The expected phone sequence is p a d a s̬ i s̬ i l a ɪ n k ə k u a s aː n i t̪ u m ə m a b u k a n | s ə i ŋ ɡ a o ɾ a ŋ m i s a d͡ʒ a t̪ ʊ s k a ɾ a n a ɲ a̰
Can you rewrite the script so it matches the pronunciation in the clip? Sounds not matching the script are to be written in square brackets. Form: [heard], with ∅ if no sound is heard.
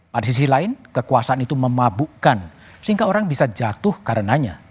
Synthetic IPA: p a d a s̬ i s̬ i l a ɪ n k ə k u a s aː n i t̪ u m ə m a b u k a n | s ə i ŋ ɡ a o ɾ a ŋ [b] i s a d͡ʒ a t̪ ʊ [h] k a ɾ [ə] n a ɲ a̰